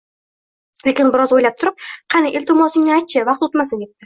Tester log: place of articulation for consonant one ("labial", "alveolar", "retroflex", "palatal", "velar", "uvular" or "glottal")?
alveolar